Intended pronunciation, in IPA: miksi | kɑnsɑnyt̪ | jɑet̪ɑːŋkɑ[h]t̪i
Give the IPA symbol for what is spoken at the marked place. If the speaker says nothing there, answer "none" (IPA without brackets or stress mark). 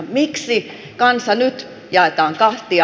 h